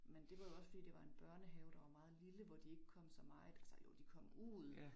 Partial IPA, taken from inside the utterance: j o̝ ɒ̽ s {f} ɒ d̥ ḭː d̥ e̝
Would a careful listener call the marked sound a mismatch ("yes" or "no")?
no